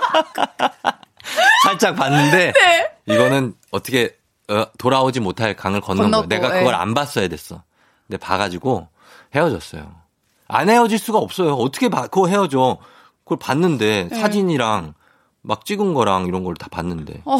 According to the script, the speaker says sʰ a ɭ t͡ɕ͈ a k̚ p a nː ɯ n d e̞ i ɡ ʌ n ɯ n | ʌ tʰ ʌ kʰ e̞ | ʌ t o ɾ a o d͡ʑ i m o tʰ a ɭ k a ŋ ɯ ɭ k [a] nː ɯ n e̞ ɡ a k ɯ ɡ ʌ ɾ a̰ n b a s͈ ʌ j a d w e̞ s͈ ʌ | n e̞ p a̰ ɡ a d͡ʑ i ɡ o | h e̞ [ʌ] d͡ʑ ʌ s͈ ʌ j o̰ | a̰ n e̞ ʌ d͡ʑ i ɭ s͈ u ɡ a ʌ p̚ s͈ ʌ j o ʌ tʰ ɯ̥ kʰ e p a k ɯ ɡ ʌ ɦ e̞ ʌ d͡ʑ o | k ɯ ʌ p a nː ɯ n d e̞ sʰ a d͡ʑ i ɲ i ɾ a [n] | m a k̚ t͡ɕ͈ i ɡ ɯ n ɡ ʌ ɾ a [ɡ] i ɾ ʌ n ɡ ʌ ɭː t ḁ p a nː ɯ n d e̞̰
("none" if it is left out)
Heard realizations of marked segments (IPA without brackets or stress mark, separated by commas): ʌ, ʌ, ŋ, ŋ